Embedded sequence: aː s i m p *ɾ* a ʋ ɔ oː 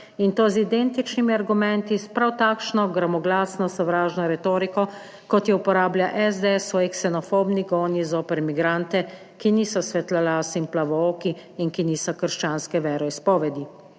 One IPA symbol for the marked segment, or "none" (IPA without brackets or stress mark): l